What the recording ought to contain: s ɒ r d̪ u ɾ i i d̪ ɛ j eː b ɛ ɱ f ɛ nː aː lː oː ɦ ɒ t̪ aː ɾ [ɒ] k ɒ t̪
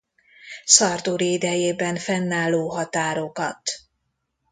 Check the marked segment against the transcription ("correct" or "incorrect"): incorrect